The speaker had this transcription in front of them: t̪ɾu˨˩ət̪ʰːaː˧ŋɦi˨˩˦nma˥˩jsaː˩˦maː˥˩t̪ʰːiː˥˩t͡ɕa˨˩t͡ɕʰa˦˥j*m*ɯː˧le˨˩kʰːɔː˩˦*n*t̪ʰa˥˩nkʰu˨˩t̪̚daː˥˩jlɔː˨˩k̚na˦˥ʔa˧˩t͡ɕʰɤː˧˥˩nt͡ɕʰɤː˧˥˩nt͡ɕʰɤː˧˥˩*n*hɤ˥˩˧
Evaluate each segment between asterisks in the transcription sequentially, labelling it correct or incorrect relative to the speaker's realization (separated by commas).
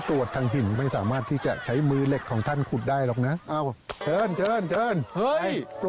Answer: correct, incorrect, correct